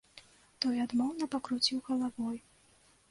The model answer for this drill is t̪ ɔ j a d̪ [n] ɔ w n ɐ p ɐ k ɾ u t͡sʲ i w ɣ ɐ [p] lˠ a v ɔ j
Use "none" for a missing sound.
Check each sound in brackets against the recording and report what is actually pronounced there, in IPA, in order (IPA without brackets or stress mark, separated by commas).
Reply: m, none